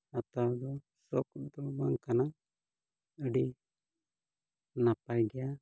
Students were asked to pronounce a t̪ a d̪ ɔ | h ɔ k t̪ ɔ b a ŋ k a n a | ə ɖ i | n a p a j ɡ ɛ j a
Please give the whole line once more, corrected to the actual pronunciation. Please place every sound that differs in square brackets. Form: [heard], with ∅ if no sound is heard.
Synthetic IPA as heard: a t̪ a d̪ ɔ | [s] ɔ k [d̪] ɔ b a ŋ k a n a | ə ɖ i | n a p a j ɡ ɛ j a